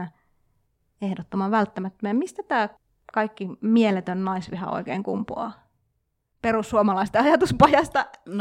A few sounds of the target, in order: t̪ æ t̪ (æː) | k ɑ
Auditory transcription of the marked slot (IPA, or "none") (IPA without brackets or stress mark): æː